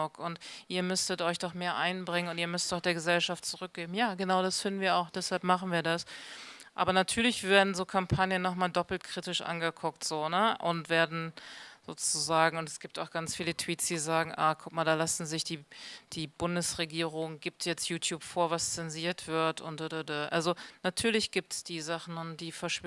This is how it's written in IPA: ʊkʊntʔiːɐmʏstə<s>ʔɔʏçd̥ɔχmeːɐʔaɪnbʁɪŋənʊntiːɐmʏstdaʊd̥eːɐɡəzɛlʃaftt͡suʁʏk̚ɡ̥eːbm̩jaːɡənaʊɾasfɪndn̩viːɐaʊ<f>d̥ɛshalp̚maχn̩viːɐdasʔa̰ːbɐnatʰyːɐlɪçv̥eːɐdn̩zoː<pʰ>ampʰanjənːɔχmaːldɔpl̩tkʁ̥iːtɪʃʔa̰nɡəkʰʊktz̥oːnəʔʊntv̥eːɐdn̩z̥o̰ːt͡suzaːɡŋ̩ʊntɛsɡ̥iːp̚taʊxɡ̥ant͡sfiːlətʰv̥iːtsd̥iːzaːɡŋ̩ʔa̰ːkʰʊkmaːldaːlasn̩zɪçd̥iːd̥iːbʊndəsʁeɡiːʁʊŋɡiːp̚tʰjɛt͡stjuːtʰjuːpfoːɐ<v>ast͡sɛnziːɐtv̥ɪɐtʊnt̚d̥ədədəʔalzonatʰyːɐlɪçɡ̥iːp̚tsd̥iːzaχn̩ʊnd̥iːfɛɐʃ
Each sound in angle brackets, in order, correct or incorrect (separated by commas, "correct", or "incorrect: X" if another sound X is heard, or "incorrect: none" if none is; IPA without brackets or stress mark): incorrect: t, incorrect: x, incorrect: kʰ, correct